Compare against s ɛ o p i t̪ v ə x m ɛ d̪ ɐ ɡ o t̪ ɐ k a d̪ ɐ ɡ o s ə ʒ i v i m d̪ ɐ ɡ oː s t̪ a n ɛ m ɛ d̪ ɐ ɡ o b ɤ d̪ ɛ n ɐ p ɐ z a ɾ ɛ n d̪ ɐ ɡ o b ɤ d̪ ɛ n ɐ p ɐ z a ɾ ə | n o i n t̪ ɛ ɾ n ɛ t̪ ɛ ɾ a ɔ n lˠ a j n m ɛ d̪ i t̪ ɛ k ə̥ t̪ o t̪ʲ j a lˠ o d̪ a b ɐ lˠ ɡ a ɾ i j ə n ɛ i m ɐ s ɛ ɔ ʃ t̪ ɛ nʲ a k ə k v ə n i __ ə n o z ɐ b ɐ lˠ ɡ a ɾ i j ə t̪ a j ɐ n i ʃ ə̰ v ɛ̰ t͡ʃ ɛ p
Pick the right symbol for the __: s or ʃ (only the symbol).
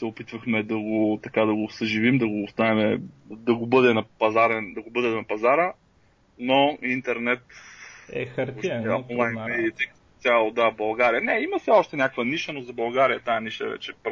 ʃ